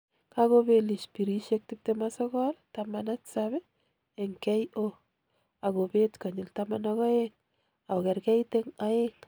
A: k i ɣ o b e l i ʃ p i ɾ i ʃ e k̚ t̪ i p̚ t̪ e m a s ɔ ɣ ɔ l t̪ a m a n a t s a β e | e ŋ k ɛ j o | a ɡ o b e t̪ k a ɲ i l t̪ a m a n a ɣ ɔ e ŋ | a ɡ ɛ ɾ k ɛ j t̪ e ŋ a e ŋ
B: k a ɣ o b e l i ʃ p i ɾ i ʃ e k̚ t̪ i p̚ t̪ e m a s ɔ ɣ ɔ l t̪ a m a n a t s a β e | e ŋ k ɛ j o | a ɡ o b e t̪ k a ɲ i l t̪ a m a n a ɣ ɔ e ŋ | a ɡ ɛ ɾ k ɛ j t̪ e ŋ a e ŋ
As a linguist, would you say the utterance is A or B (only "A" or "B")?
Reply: B